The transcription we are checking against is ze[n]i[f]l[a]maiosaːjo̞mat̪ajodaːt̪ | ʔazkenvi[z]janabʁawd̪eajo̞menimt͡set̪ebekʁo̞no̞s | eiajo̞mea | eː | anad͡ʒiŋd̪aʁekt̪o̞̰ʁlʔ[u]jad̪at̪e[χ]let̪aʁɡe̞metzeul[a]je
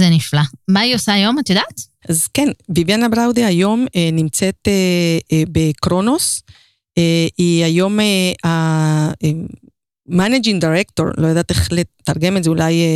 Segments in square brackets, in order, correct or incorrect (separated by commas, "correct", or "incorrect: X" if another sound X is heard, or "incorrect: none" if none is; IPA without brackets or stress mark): correct, correct, correct, incorrect: v, incorrect: o, correct, correct